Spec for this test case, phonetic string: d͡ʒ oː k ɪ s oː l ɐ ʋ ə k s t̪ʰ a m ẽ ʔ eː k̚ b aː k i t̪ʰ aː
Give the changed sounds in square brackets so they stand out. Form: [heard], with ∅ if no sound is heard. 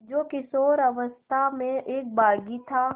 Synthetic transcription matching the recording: d͡ʒ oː k ɪ s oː [ɾ] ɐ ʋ ə [∅] s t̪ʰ a m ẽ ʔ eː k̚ b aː [ɡ] i t̪ʰ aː